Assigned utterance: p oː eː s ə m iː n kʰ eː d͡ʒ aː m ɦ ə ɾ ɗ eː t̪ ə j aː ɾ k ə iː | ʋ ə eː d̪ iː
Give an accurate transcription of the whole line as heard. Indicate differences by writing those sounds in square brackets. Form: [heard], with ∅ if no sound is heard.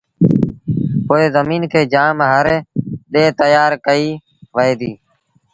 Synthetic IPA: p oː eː [z] ə m iː n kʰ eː d͡ʒ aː m ɦ ə ɾ ɗ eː t̪ ə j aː ɾ k ə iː | ʋ ə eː d̪ iː